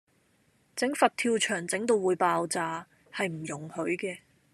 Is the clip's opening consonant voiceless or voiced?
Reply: voiceless